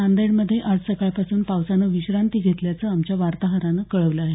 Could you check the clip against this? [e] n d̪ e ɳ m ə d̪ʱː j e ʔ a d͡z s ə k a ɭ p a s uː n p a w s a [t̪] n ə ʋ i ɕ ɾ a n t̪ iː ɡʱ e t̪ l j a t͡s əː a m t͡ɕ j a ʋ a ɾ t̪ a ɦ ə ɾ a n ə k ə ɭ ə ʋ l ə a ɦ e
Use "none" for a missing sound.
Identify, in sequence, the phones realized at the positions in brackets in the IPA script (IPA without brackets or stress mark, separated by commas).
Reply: a, none